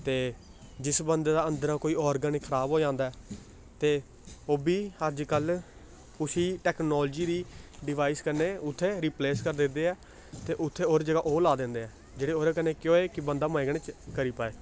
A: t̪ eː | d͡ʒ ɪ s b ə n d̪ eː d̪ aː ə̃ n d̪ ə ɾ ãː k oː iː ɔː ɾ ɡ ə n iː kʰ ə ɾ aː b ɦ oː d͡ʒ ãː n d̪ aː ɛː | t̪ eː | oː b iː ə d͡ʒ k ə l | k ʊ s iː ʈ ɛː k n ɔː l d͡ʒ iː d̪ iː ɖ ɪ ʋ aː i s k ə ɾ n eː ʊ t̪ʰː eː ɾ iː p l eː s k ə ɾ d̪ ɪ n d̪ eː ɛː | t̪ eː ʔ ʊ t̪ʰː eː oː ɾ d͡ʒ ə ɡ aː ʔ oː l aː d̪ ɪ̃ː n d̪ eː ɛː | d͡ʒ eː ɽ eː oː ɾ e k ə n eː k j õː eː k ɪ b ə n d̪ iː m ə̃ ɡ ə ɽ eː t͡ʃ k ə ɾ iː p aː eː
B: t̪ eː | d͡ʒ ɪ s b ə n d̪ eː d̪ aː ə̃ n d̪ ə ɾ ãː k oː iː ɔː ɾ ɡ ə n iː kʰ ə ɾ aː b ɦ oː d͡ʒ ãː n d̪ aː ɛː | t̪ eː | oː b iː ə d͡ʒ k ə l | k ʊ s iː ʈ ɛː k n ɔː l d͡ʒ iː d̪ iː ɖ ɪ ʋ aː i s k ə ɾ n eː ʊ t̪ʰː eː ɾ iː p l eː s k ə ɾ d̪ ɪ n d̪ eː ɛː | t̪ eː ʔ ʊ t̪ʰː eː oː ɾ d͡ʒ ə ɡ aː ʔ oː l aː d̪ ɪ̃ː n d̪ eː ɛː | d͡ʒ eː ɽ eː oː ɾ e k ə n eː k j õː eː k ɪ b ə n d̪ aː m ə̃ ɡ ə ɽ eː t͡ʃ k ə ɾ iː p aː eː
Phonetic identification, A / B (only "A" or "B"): B